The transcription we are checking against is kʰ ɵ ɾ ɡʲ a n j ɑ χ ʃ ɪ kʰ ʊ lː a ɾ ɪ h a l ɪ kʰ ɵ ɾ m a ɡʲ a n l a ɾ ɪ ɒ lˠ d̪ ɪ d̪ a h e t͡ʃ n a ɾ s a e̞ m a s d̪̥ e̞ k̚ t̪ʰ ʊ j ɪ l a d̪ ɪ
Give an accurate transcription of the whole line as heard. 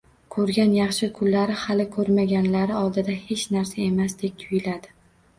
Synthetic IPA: kʰ ɵ ɾ ɡʲ a n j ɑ χ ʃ ɪ kʰ ʊ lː a ɾ ɪ h a l ɪ kʰ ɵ ɾ m a ɡʲ a n l a ɾ ɪ ɒ lˠ d̪ ɪ d̪ a h e t͡ʃ n a ɾ s a e̞ m a s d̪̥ e̞ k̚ t̪ʰ ʊ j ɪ l a d̪ ɪ

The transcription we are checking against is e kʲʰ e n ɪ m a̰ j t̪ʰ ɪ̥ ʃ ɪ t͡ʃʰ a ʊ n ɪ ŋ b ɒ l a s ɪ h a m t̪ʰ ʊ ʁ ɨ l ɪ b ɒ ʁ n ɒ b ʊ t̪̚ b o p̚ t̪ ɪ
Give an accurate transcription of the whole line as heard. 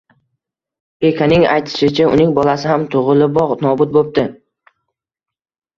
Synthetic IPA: e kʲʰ a n ɪ ŋ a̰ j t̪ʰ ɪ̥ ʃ ɪ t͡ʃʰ a ʊ n ɪ ŋ b ɒ l a s ɪ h a m t̪ʰ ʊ ʁ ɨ l ɪ b ɒ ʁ n ɒ b ʊ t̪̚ b o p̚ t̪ ɪ

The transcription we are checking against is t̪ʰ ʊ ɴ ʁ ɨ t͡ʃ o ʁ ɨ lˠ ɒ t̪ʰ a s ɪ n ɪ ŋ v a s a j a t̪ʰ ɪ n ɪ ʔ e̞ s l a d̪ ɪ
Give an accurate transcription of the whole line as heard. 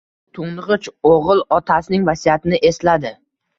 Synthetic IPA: t̪ʰ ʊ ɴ ʁ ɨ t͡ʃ o ʁ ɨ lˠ ɒ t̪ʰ a s ɪ n ɪ ŋ v a s i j a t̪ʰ ɪ n ɪ ʔ e̞ s l a d̪ ɪ

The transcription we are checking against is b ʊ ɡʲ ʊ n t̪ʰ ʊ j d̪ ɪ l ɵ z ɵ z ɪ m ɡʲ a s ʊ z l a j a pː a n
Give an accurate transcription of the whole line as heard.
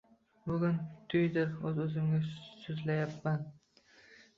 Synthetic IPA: b ʊ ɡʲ ʊ n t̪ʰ ʊ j d̪ ɪ ɾ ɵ z ɵ z ɪ m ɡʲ a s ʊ z l a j a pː a n

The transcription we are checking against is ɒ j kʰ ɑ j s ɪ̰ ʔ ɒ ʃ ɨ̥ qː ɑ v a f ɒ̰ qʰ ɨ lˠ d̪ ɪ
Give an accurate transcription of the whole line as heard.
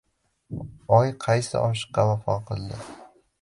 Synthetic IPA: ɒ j qʰ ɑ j s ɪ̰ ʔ ɒ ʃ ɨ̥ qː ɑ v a f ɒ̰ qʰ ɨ lˠ d̪ ɪ

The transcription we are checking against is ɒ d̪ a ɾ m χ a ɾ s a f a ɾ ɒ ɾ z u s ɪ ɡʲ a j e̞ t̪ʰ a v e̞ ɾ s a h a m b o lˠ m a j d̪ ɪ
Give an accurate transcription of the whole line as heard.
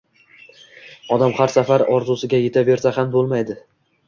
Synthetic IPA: ɒ d̪ a m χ a ɾ s a f a ɾ ɒ ɾ z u s ɪ ɡʲ a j e̞ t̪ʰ a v e̞ ɾ s a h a m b o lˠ m a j d̪ ɪ

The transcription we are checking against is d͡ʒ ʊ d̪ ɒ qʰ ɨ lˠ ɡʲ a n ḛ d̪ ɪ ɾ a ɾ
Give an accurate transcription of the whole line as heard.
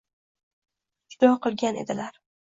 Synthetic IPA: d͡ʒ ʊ d̪ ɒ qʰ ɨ lˠ ɡʲ a n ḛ d̪ ɪ l a ɾ

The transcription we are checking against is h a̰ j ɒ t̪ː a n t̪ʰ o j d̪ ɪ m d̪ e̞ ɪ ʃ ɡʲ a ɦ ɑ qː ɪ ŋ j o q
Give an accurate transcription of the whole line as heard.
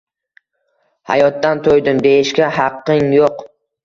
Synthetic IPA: h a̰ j ɒ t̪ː a n t̪ʰ o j d̪ ɪ m d̪ e̞ ɪ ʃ kʲ a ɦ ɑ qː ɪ ŋ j o q

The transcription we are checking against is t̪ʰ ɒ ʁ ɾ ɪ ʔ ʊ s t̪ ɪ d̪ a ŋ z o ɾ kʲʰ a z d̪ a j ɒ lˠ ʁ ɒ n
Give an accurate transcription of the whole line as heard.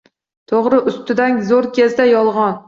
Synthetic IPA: t̪ʰ o ʁ ɾ ɪ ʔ ʊ s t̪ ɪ d̪ a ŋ z o ɾ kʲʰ e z d̪ a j ɒ lˠ ʁ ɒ n

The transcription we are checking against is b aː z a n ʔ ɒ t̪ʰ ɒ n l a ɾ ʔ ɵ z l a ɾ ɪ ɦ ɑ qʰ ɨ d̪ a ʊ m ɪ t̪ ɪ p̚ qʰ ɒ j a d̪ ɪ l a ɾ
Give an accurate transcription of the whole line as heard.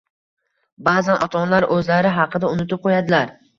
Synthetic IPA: b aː z a n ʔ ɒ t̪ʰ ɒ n l a ɾ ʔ ɵ z l a ɾ ɪ ɦ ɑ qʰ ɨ d̪ a ʊ n ɪ t̪ ɪ p̚ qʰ o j a d̪ ɪ l a ɾ

